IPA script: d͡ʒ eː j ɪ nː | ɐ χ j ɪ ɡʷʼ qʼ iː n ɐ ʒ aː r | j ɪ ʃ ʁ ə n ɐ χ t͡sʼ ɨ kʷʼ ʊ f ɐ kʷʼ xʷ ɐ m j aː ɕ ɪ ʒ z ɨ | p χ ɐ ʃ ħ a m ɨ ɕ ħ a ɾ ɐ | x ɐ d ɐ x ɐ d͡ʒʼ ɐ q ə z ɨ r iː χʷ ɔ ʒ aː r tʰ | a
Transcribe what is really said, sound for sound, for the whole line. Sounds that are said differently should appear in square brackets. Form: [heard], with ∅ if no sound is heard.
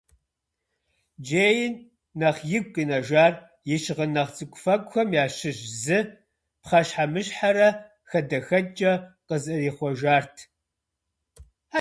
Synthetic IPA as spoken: d͡ʒ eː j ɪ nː | ɐ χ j ɪ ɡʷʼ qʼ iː n ɐ ʒ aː r | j ɪ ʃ ʁ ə n ɐ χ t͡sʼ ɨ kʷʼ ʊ f ɐ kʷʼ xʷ ɐ m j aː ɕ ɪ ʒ z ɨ | p χ ɐ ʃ ħ a m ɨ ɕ ħ a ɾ ɐ | x ɐ d ɐ x ɐ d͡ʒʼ ɐ q ə z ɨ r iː χʷ ɔ ʒ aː r tʰ | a